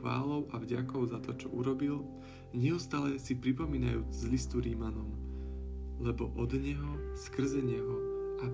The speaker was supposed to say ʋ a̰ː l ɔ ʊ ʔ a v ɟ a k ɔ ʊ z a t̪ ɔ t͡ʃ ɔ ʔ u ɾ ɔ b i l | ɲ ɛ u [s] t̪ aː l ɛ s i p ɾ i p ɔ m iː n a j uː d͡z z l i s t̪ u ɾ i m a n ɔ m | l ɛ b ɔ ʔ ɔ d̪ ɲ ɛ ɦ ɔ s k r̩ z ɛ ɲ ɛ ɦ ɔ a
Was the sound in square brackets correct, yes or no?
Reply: yes